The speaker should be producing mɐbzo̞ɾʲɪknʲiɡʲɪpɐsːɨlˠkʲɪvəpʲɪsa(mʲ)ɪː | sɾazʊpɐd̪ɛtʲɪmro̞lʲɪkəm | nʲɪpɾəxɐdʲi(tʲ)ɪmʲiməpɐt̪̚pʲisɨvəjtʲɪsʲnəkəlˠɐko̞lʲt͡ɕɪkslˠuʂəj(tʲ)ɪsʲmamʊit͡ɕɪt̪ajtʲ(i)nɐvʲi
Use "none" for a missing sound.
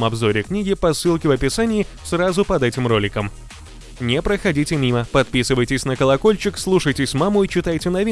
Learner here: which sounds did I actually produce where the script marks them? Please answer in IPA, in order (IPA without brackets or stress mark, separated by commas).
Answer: nʲ, tʲ, tʲ, ɪ